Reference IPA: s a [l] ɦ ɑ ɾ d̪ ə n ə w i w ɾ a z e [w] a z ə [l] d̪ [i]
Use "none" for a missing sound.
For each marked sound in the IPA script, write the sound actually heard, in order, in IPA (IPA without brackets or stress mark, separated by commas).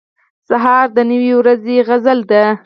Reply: none, ɣ, l, a